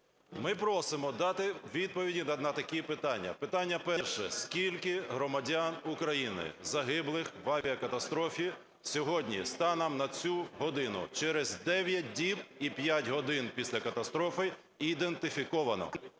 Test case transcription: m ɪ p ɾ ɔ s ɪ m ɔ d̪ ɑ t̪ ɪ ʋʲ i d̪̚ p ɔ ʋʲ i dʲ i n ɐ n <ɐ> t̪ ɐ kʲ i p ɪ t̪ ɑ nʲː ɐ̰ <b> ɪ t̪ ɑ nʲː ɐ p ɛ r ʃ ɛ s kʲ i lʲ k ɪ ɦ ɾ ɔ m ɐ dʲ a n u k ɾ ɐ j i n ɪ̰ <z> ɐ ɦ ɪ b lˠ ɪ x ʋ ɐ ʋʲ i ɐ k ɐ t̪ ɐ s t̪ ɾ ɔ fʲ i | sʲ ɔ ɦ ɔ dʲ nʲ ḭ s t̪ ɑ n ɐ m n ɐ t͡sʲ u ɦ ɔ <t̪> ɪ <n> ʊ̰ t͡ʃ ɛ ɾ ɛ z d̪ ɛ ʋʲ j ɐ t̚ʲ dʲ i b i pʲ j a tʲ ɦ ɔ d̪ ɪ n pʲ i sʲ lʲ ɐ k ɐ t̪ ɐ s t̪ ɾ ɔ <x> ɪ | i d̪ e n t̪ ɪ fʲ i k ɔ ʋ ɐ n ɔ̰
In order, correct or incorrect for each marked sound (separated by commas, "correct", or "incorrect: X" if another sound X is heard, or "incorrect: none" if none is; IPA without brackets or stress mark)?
correct, incorrect: p, correct, incorrect: d̪, correct, incorrect: f